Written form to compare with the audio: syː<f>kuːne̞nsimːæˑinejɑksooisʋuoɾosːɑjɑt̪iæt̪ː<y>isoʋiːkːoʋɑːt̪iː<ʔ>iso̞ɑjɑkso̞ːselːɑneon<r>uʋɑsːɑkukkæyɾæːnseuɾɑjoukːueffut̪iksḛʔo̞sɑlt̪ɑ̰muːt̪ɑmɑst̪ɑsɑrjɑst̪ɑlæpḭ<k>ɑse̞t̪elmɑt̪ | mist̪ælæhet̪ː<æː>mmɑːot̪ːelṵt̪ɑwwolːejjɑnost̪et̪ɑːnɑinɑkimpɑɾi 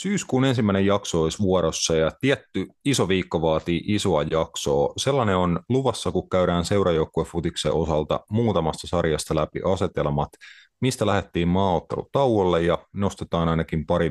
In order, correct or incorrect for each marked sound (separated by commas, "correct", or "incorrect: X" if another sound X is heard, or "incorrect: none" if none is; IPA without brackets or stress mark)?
incorrect: s, correct, correct, incorrect: l, incorrect: ʔ, incorrect: iː